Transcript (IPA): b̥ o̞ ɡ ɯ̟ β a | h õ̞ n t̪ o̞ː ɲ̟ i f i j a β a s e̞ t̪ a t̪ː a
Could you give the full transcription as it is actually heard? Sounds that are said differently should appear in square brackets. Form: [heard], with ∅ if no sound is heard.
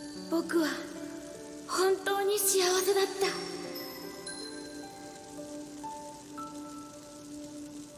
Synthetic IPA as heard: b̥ o̞ [k] ɯ̟ β a | h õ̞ n t̪ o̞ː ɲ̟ i [ɕ] i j a β a s e̞ [d̪] a t̪ː a